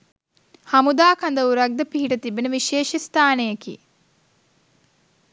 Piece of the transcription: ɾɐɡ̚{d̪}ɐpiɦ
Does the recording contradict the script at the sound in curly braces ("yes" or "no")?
no